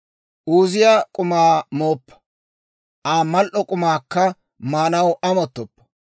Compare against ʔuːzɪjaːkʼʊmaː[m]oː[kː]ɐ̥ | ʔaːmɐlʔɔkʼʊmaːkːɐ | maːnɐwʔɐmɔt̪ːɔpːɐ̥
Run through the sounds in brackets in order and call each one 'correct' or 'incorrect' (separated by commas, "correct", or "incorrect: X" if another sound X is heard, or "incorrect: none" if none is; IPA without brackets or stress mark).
correct, incorrect: pː